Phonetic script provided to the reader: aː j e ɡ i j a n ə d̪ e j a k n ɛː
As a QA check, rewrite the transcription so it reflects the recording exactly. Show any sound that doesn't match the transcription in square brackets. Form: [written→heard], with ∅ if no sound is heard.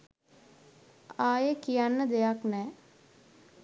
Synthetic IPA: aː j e [ɡ→k] i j a [n→nː] ə d̪ e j a k n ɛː